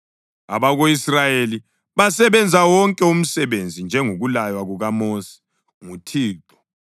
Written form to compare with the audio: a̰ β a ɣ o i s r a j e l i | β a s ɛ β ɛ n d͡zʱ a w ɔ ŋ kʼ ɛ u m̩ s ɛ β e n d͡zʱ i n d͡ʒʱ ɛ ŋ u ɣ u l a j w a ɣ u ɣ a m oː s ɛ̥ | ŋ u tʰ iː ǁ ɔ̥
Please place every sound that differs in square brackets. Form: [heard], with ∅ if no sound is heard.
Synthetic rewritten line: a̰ β a ɣ o i s r a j e l i | β a s ɛ β ɛ n d͡zʱ a w ɔ ŋ kʼ ɛ u m̩ s ɛ β e n d͡zʱ i n d͡ʒʱ ɛ ŋ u ɣ u l a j w a ɣ u ɣ a m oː s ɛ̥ | ŋ u tʰ iː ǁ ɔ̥